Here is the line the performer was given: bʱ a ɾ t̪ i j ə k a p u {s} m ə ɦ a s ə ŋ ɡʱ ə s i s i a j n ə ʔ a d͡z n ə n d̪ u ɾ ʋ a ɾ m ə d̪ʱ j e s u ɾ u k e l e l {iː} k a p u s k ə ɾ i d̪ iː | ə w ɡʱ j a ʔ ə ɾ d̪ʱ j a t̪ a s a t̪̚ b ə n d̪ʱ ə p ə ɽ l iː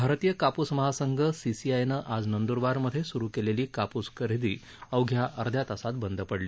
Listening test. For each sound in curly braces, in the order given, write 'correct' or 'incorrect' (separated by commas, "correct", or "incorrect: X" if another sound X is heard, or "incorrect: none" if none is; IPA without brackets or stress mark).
correct, correct